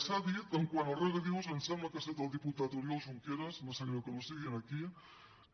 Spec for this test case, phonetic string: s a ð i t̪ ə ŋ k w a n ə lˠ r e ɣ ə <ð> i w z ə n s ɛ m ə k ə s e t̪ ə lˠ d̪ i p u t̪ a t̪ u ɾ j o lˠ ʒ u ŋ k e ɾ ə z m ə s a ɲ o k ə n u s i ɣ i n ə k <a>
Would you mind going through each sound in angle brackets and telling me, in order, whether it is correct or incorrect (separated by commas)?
correct, incorrect